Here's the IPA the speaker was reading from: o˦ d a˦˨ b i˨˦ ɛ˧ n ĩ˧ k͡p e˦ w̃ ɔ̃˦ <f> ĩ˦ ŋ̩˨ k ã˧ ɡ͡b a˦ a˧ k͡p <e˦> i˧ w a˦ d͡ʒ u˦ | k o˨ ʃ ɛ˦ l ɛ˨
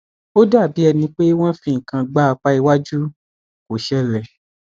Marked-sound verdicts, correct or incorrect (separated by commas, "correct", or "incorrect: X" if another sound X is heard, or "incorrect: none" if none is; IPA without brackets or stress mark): correct, incorrect: a˦